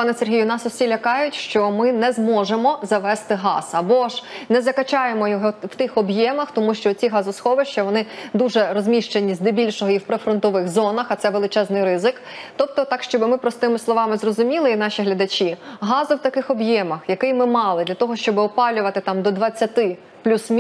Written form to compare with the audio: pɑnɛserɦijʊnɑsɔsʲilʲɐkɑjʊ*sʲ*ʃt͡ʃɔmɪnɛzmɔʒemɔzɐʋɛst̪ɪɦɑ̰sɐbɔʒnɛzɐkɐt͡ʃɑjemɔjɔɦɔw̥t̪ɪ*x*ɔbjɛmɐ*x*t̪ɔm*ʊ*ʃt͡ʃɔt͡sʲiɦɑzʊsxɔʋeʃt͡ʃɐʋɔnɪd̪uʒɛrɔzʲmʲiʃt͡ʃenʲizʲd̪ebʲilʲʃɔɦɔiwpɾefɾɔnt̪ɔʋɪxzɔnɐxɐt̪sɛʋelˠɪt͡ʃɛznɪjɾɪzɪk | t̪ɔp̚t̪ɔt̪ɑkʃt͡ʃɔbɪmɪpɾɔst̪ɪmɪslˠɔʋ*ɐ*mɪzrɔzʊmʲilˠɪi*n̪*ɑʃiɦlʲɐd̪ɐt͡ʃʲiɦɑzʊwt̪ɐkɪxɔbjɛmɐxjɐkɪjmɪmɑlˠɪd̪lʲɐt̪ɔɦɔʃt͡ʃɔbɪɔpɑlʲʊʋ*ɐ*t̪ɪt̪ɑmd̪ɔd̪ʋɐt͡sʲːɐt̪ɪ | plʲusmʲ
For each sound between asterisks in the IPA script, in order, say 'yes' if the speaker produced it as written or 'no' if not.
no, yes, yes, no, no, yes, yes

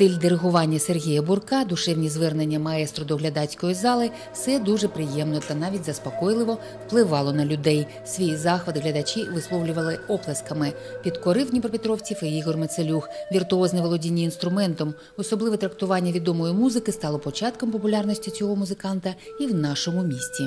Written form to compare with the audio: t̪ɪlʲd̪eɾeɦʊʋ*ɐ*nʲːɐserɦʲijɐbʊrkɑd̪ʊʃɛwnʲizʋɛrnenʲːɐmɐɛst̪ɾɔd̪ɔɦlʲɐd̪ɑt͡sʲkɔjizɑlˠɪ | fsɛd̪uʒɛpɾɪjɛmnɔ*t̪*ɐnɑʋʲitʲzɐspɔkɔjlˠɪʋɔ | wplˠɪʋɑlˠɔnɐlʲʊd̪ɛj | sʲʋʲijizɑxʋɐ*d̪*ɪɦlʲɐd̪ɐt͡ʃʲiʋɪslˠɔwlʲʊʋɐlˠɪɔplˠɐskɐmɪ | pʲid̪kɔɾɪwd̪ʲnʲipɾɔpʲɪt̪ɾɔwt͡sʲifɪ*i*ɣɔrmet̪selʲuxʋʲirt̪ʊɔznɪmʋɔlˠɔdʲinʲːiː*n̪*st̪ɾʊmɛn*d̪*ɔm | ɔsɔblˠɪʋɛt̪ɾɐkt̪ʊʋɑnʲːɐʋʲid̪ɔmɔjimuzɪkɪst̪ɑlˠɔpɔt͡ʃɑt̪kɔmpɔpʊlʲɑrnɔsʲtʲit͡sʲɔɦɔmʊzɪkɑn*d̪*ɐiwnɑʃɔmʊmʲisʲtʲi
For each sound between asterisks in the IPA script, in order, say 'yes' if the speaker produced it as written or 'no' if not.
no, yes, yes, yes, yes, no, no

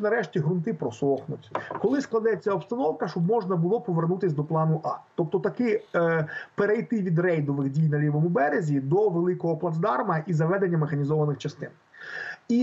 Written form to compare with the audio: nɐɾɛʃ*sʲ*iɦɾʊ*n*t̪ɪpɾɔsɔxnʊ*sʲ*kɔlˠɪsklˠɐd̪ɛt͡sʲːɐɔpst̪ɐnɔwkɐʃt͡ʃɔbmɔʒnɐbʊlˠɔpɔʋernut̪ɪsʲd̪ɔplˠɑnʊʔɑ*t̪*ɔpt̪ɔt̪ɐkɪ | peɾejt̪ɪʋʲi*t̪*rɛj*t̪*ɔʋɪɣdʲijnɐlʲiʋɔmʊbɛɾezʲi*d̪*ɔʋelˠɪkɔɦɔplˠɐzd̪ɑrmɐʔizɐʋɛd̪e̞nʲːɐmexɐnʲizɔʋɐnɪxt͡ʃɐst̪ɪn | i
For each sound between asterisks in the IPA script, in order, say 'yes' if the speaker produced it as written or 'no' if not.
no, yes, no, yes, no, no, yes

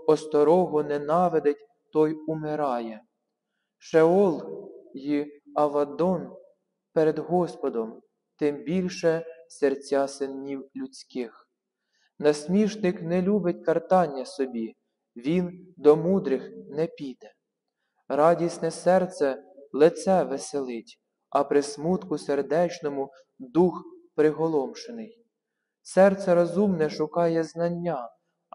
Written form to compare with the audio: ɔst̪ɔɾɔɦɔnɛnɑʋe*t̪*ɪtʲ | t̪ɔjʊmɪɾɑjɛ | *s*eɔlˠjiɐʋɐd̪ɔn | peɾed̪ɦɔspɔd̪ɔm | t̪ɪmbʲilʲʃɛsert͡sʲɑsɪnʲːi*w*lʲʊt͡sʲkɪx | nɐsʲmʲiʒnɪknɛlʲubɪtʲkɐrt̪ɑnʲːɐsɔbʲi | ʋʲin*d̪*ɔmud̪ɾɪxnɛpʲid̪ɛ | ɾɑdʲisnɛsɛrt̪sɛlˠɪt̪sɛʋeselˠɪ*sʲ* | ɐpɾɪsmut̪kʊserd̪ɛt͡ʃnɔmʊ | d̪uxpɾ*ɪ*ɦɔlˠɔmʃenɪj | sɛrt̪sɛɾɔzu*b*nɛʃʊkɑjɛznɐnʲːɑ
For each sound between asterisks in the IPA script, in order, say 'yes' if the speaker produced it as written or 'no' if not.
no, no, yes, yes, no, yes, no

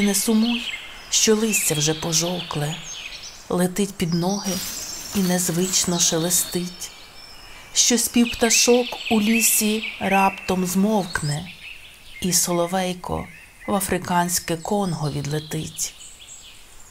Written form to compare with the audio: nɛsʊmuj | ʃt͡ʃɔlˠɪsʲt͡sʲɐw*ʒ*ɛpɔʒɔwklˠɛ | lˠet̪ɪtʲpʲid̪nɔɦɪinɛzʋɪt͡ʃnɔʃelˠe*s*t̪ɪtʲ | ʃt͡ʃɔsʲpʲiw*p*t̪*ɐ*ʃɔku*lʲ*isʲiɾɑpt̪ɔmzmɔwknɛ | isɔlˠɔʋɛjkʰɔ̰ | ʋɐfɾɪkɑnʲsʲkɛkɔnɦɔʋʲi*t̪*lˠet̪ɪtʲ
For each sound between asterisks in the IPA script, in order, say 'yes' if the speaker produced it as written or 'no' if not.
yes, yes, yes, yes, yes, no

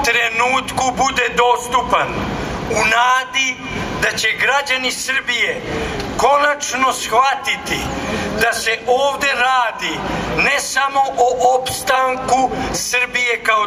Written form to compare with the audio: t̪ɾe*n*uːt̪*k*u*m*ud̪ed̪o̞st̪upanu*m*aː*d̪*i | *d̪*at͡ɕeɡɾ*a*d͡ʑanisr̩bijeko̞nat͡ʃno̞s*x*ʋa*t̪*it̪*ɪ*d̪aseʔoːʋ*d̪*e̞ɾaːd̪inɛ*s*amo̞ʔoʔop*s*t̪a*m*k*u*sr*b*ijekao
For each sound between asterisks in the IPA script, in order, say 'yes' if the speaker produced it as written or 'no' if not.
yes, yes, no, no, yes, yes, yes, yes, yes, no, yes, yes, yes, no, yes, yes

